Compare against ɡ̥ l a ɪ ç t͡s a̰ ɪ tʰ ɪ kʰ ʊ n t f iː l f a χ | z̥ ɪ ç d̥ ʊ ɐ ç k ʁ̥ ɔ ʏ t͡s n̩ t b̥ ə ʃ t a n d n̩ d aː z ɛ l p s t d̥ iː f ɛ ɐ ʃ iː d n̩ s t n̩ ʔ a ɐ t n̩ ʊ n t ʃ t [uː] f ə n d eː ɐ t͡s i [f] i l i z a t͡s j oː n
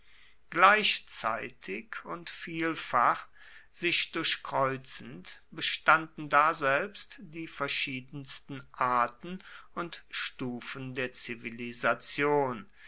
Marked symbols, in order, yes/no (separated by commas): yes, no